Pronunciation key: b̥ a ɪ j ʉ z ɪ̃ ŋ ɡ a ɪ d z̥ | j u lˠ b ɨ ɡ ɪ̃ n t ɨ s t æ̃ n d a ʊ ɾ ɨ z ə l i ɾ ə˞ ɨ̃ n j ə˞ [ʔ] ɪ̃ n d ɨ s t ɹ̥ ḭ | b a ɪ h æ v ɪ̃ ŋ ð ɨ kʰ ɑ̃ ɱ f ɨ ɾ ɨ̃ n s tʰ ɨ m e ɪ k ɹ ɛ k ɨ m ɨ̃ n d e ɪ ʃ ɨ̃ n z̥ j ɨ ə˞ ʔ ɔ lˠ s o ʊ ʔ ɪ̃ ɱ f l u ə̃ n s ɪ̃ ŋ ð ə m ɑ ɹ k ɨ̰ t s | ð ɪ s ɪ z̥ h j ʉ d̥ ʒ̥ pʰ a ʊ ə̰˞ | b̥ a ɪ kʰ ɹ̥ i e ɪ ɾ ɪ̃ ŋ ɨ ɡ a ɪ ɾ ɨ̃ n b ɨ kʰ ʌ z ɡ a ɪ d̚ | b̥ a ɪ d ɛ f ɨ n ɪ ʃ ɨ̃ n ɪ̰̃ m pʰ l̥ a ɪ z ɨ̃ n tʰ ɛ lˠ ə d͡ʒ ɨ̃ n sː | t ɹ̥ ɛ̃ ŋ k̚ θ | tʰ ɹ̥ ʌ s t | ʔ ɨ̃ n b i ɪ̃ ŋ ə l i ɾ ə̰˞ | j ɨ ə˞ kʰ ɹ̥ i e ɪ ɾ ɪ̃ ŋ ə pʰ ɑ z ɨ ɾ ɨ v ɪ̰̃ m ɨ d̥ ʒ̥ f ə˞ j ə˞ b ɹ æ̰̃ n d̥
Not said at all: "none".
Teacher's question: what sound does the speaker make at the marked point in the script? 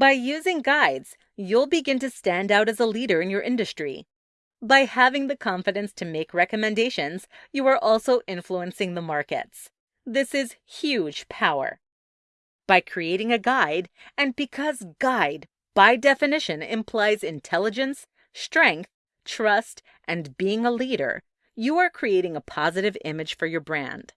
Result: ʔ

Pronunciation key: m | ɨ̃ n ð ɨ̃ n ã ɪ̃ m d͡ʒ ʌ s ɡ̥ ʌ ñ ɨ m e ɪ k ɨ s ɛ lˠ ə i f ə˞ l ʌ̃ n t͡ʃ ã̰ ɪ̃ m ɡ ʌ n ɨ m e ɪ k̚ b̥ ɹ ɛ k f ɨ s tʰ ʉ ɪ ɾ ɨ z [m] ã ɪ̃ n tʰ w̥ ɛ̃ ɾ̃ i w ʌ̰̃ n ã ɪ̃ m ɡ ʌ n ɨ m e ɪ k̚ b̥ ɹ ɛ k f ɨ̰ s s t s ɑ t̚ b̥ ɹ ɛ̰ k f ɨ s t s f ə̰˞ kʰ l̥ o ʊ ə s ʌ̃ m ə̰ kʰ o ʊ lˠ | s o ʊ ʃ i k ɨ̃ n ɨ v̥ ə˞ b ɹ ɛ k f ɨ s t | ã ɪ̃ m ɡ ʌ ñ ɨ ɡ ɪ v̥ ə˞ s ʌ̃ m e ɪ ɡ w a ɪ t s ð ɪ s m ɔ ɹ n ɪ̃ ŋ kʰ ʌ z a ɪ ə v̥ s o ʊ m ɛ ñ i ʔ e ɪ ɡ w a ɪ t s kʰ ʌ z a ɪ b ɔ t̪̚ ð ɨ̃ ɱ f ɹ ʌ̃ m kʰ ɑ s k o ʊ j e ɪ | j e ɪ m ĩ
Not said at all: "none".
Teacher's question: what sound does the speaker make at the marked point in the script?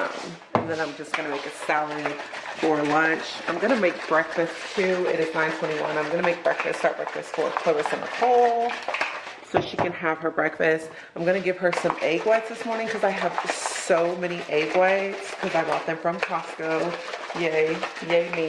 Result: n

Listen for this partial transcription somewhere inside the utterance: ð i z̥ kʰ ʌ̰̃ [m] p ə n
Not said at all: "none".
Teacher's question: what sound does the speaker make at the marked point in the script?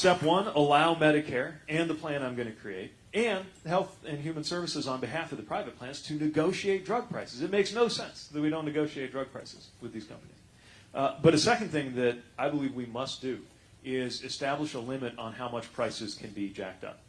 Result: m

